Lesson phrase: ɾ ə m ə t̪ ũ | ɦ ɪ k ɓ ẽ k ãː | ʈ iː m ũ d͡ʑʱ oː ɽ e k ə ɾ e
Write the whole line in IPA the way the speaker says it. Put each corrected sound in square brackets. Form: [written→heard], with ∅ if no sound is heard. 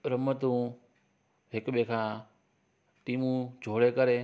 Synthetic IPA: ɾ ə m ə t̪ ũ | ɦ ɪ k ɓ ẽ [k→kʰ] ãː | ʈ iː m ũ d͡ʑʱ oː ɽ e k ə ɾ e